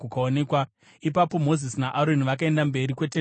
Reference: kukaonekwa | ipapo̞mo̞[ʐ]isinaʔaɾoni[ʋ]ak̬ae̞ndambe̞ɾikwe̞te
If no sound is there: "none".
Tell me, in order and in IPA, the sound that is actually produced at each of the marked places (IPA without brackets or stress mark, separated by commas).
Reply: z, ʋ